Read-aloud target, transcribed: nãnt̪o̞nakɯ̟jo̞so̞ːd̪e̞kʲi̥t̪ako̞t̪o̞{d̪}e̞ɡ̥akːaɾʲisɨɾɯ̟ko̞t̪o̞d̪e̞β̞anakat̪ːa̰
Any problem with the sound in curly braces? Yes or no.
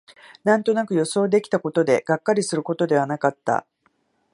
no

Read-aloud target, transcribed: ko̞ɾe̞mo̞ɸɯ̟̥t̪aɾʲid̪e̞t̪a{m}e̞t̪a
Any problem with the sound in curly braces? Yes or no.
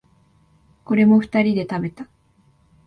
yes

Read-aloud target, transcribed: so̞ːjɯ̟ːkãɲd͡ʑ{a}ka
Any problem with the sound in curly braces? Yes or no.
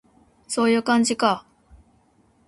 yes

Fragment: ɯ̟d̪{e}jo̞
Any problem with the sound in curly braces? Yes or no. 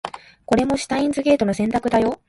yes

